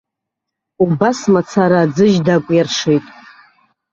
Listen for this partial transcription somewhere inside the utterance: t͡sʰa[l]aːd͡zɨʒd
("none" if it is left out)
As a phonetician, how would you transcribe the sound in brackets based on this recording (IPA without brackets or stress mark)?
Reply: ɾ